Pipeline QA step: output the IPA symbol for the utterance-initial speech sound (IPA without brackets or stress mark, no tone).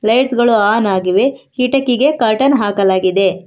l